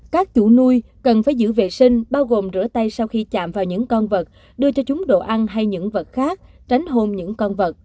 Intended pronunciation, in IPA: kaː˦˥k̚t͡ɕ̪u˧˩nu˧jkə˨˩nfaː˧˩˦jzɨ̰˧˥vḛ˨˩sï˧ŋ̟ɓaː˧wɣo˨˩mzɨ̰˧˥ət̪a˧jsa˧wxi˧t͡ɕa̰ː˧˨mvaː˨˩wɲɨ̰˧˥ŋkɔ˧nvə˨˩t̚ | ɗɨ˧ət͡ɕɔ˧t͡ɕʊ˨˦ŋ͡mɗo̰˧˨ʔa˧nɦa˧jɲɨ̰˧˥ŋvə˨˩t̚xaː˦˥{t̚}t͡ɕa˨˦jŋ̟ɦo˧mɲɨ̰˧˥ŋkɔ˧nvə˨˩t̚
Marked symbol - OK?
no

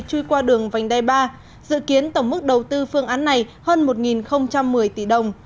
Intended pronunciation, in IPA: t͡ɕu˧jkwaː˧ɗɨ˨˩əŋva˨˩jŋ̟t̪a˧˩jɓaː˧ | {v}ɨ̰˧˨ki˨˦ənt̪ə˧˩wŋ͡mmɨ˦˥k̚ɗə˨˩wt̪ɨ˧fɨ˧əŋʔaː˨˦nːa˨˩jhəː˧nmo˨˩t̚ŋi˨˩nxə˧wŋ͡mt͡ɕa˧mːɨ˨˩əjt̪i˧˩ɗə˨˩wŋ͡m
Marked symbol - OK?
no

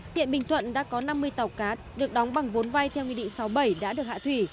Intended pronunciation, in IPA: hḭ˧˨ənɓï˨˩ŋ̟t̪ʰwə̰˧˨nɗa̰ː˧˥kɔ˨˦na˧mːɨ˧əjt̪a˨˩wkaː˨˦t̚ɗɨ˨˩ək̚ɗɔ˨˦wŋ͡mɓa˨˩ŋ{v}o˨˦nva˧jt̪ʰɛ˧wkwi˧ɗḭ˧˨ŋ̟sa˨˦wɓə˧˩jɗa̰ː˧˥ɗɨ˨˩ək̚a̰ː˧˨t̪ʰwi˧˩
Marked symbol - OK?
yes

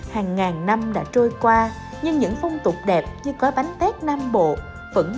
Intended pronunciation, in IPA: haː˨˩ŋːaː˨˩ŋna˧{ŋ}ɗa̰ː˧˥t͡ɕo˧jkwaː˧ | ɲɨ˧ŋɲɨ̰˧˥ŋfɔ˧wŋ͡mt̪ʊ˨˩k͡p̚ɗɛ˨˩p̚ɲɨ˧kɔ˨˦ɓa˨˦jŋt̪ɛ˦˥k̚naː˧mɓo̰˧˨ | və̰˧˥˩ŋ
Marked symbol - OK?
no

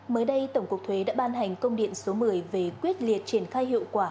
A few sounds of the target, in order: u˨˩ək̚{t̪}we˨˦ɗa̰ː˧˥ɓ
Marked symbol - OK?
no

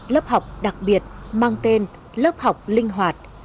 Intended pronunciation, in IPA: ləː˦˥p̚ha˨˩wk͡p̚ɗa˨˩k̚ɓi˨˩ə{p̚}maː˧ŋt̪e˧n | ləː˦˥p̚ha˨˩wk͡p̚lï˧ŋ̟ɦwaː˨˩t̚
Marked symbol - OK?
no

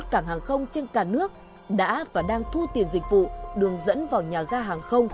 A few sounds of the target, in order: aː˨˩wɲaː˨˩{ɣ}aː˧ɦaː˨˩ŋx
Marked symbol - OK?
yes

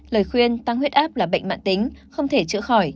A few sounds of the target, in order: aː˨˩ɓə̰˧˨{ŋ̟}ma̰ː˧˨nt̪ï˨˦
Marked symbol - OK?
yes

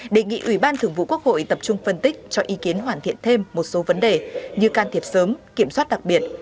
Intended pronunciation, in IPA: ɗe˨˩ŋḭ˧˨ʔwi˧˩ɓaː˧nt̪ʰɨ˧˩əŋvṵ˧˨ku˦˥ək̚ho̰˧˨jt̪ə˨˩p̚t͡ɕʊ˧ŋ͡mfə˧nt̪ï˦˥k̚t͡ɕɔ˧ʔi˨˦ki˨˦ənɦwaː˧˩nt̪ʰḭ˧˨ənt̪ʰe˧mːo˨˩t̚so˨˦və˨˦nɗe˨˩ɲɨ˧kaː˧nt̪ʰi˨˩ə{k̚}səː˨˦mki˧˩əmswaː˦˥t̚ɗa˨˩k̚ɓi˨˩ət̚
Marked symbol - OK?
no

